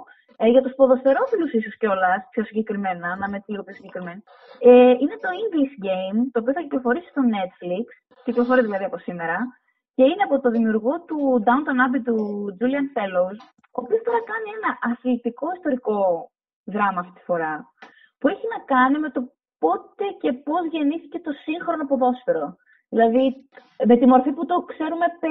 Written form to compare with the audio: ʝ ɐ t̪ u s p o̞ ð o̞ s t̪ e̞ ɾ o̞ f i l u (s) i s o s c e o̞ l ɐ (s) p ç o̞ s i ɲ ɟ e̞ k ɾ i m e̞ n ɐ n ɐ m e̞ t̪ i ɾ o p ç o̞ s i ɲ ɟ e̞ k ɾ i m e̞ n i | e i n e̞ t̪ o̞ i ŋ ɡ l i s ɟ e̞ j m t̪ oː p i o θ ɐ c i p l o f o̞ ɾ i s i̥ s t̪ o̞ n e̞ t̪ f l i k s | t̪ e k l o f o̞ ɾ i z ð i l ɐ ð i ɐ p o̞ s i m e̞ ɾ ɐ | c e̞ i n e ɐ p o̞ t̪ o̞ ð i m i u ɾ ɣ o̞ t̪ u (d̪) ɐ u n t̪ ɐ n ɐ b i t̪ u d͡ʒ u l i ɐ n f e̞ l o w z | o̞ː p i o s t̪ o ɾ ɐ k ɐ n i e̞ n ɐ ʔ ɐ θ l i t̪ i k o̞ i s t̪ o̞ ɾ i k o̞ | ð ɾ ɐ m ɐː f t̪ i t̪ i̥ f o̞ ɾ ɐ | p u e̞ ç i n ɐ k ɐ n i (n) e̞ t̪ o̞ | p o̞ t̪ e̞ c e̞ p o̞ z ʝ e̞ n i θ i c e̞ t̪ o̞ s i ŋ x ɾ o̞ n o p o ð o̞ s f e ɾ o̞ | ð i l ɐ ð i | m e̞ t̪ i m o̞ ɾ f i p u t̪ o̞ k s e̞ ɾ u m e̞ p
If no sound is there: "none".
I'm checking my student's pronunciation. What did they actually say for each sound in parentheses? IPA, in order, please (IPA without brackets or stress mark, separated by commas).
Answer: s, s, d̪, m